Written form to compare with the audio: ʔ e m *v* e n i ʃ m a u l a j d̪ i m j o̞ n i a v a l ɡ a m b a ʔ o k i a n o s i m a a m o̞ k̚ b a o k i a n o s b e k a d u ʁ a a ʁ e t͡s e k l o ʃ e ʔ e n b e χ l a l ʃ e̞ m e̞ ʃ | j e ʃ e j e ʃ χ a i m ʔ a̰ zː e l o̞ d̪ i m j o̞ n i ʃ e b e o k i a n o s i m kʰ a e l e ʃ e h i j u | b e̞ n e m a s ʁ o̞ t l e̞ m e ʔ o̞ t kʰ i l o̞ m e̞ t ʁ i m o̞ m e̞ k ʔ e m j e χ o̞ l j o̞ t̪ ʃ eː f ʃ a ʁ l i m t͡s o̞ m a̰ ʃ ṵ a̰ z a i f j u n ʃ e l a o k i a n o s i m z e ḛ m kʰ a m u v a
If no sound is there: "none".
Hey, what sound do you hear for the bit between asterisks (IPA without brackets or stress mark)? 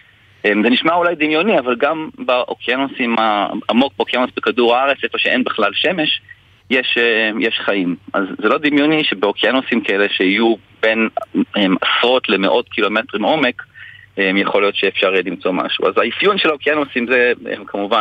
z